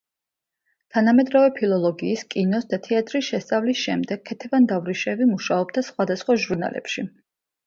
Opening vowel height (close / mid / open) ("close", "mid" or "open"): open